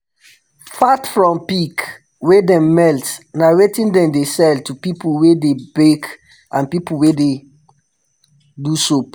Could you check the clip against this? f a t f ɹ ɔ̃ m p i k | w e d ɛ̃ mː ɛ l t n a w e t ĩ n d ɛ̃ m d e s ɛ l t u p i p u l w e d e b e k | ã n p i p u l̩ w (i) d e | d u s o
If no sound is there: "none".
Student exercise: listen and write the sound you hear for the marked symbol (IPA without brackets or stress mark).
e